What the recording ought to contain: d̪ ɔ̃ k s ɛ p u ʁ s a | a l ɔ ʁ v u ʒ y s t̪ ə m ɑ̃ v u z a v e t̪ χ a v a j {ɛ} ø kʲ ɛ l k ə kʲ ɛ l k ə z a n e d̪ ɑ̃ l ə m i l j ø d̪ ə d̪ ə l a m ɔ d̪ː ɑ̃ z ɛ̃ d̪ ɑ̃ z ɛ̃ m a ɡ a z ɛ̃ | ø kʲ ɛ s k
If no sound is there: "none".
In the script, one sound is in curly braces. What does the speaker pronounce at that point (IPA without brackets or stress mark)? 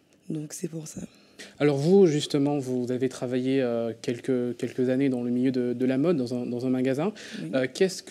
e